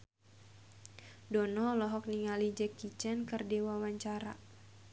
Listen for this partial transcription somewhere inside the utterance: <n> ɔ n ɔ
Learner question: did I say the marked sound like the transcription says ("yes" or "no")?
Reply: no